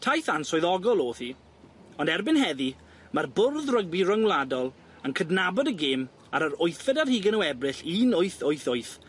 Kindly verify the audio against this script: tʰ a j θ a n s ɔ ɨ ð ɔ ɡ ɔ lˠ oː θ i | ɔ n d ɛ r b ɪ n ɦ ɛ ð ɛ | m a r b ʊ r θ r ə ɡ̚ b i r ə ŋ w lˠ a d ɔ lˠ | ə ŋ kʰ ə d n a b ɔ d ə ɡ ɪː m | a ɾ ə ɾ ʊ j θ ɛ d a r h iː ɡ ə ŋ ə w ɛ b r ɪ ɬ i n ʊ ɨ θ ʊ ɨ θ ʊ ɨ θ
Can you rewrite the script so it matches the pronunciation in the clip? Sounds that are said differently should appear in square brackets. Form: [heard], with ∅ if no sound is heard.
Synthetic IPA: tʰ a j θ a n s ɔ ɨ ð ɔ ɡ ɔ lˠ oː θ i | ɔ n d ɛ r b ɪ n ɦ ɛ ð [i] | m a r b ʊ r [ð] r ə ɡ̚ b i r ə ŋ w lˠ a d ɔ lˠ | ə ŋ kʰ ə d n a b ɔ d ə ɡ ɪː m | a ɾ ə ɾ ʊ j θ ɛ d a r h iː ɡ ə [n] ə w ɛ b r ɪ ɬ i n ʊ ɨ θ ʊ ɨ θ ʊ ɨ θ

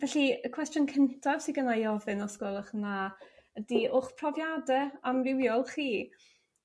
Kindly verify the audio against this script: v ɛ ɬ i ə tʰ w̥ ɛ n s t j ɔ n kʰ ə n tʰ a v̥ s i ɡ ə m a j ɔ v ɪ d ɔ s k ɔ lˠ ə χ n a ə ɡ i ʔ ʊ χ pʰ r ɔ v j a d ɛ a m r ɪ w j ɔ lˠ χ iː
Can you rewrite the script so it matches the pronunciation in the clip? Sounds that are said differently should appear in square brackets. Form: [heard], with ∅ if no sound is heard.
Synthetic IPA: v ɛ ɬ i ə [kʰ] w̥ ɛ [∅] s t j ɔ n kʰ ə n tʰ a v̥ s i ɡ ə [n] a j ɔ v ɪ [n] ɔ s k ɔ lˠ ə χ n a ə [d] i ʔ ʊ χ pʰ r ɔ v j a d ɛ a m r ɪ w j ɔ lˠ χ iː

